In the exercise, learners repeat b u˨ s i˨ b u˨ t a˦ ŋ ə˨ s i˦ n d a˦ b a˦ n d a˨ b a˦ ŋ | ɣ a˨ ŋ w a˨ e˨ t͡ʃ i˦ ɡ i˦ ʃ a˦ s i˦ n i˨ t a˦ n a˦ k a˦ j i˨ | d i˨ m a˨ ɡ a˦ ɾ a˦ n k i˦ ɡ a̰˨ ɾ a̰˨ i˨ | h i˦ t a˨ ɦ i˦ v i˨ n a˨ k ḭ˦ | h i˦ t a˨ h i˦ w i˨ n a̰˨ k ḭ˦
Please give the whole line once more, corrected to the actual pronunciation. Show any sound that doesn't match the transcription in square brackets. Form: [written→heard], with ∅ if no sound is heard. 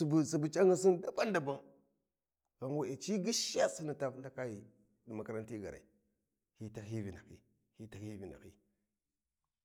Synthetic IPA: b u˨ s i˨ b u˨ [t→t͡ʃ] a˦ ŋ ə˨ s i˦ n d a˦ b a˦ n d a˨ b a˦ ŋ | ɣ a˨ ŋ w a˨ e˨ t͡ʃ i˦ ɡ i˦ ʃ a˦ s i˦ n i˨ t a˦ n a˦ k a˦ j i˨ | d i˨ m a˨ [ɡ→k] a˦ ɾ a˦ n [k→t] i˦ ɡ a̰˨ ɾ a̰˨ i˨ | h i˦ t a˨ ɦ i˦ v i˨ n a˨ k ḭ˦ | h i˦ t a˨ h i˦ [w→v] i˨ n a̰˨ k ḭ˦